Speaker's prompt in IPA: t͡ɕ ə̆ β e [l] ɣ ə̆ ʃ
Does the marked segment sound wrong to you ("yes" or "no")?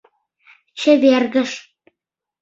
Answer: yes